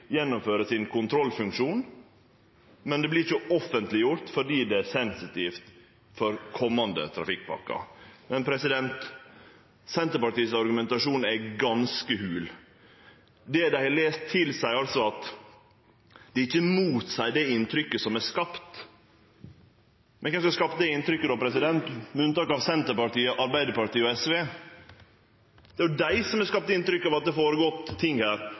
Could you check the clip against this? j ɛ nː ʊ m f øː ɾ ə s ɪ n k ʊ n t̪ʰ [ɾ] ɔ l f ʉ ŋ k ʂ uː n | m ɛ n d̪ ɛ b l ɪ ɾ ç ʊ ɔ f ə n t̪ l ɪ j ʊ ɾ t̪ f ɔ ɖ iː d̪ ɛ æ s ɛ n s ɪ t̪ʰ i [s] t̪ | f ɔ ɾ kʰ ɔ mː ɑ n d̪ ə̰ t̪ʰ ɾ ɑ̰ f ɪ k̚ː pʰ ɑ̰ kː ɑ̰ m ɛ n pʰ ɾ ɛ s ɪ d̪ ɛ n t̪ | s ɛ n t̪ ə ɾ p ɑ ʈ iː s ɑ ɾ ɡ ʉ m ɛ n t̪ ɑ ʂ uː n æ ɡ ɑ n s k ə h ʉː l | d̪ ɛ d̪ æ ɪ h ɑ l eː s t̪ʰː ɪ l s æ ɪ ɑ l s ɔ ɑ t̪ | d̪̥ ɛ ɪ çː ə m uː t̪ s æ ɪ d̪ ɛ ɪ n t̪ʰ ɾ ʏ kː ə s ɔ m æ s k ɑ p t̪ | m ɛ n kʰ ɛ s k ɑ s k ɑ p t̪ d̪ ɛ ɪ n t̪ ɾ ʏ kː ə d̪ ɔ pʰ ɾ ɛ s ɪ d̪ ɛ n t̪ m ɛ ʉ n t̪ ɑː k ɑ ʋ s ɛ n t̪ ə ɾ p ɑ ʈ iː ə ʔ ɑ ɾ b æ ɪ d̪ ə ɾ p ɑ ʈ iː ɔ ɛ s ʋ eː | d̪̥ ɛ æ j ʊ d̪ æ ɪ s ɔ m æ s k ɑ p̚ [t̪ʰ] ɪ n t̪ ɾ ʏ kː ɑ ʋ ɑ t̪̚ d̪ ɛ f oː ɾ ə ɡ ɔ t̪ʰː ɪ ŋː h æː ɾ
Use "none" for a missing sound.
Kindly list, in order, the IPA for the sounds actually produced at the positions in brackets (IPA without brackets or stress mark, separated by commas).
ɾ, f, t̪